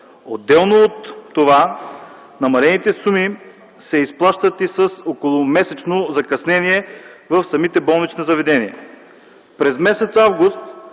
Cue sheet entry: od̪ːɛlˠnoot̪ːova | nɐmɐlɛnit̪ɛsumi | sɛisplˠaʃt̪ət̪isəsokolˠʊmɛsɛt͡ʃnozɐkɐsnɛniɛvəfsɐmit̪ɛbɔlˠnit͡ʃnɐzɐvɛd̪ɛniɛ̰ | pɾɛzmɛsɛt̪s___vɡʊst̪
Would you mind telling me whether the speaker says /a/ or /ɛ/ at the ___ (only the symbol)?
a